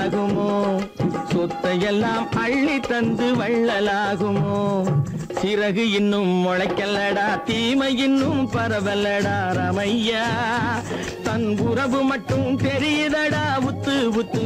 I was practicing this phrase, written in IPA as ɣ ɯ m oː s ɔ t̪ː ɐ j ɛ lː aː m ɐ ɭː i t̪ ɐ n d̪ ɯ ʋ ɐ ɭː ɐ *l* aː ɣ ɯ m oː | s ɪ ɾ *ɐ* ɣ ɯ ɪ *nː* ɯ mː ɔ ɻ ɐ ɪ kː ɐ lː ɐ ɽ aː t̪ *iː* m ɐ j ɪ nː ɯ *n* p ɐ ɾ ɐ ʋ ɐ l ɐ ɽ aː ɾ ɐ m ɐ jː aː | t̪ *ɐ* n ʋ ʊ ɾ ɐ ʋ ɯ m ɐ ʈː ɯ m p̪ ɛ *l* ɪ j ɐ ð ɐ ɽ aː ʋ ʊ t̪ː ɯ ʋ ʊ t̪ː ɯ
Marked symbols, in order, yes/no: yes, yes, yes, yes, no, yes, no

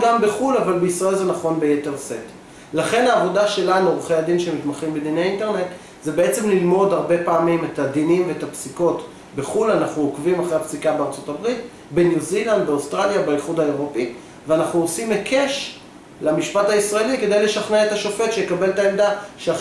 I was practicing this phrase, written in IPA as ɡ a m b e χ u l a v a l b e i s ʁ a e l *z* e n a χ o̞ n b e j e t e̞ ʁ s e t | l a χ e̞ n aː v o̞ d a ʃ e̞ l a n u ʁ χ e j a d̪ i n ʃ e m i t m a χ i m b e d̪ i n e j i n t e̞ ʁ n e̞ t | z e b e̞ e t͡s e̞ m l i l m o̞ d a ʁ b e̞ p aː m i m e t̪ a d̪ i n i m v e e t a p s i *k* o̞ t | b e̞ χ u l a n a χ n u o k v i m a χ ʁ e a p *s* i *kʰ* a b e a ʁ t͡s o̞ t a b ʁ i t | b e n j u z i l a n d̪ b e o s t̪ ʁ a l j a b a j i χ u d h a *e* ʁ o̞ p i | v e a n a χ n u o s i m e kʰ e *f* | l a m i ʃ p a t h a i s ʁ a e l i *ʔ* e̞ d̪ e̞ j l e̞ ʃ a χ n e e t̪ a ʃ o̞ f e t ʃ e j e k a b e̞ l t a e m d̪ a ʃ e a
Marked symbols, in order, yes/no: yes, yes, yes, no, yes, no, no

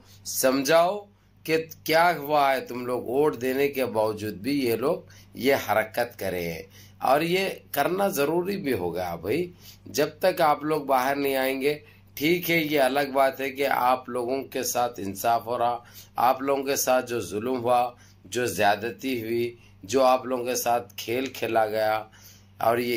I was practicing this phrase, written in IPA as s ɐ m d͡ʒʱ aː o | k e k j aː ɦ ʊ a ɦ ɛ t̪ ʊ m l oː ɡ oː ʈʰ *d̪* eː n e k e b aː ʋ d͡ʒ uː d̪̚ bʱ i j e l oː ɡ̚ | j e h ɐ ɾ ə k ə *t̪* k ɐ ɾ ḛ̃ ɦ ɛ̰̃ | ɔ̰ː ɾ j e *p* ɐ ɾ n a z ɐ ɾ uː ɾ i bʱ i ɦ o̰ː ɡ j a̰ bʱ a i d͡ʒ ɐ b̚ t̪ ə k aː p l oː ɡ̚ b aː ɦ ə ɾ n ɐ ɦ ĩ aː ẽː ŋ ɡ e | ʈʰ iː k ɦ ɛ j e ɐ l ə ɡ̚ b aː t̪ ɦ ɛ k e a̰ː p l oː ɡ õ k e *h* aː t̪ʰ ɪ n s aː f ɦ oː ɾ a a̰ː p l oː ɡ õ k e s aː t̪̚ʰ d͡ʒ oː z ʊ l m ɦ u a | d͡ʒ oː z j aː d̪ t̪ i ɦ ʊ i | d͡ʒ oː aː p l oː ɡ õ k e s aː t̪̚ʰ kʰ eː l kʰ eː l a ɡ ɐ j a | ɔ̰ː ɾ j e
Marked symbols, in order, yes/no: yes, yes, no, no

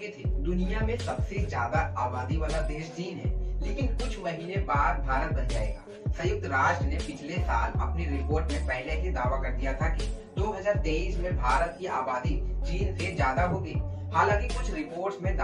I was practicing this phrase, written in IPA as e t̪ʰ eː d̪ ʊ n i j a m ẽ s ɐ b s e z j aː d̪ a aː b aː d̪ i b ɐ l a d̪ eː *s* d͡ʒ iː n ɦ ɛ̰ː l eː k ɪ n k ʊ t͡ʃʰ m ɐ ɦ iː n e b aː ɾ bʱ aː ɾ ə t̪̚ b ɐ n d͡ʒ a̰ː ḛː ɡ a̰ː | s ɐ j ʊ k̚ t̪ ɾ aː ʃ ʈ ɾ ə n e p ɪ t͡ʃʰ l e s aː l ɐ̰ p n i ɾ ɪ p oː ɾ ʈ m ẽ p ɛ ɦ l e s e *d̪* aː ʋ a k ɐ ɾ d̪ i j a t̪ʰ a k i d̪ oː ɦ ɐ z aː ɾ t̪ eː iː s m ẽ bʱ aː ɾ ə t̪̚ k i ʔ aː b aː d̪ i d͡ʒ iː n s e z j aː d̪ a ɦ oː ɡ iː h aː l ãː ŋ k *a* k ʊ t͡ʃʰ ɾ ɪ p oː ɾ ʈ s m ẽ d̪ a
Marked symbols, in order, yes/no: no, yes, no

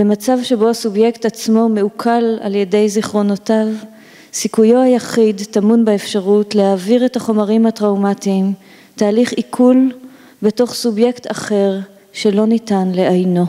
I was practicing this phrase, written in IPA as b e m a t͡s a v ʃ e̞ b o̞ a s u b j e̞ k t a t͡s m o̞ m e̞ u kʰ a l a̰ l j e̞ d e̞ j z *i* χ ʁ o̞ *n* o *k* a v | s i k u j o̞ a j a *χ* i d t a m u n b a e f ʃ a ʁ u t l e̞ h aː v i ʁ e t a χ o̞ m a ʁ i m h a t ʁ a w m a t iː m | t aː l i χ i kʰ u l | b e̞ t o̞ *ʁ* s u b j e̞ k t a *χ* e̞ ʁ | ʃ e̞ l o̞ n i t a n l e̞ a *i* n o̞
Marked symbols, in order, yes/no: yes, yes, no, yes, no, yes, no

